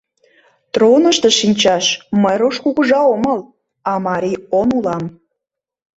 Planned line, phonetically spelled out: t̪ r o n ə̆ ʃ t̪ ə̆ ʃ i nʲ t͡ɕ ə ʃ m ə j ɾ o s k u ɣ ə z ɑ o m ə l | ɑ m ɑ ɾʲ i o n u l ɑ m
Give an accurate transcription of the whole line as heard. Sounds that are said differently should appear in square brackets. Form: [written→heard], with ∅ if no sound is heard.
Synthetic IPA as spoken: t̪ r o n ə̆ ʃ t̪ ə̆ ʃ i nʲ t͡ɕ [ə→ɑ] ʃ m ə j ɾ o [s→ʃ] k u ɣ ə [z→ʒ] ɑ o m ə l | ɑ m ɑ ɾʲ i o n u l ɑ m